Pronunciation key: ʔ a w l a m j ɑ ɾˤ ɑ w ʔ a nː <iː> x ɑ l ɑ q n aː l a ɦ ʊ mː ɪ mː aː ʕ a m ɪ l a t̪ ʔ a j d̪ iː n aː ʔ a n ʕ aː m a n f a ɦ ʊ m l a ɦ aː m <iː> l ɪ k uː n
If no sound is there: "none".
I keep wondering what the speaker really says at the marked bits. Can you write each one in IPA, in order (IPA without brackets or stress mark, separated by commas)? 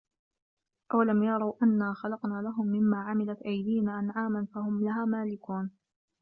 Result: aː, aː